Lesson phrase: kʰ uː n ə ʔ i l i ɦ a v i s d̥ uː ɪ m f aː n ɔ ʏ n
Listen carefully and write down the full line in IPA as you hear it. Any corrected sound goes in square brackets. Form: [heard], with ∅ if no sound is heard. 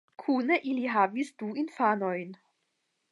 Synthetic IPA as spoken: kʰ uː n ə ʔ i l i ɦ a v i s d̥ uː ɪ [n] f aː n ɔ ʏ n